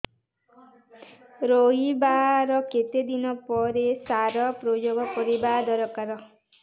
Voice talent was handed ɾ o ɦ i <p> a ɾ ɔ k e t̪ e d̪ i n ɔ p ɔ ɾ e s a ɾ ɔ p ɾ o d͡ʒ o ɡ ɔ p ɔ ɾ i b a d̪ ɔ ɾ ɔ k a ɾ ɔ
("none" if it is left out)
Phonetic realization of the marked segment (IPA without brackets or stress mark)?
b